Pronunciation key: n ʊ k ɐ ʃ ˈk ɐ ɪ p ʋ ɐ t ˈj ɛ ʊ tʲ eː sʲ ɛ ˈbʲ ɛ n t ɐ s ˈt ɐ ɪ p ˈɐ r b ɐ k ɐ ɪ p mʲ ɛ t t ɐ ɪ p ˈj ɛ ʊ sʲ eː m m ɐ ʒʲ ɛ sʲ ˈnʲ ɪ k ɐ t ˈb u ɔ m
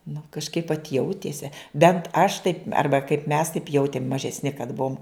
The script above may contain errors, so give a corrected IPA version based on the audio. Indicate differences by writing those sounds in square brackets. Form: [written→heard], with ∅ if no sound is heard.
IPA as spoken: n ʊ k ɐ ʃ ˈk ɐ ɪ p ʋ ɐ t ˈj ɛ ʊ tʲ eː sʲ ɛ ˈbʲ ɛ n t ɐ [s→ʃ] ˈt ɐ ɪ p ˈɐ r b ɐ k ɐ ɪ p mʲ ɛ [t→s] t ɐ ɪ p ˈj ɛ ʊ [sʲ→tʲ] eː m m ɐ ʒʲ ɛ sʲ ˈnʲ ɪ k ɐ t ˈb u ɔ m